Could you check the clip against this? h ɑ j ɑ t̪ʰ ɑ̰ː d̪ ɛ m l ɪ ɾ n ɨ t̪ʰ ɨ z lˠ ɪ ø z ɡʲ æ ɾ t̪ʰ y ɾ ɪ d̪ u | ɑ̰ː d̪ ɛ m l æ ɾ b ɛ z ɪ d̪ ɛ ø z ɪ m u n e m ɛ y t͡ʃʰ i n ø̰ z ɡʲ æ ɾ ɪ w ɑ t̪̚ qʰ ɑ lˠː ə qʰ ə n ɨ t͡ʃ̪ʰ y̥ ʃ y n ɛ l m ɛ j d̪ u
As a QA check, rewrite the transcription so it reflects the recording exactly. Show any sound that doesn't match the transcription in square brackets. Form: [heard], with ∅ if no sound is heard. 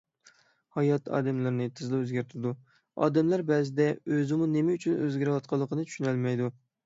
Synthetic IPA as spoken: h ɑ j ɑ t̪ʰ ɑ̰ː d̪ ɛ m l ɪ ɾ n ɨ t̪ʰ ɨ z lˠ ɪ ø z ɡʲ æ ɾ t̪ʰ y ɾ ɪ d̪ u | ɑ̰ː d̪ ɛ m l æ ɾ b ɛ z ɪ d̪ ɛ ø z ɪ m u n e m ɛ y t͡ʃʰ [y] n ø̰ z ɡʲ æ ɾ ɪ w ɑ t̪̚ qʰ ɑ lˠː ə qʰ ə n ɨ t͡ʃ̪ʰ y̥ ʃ y n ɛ l m ɛ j d̪ u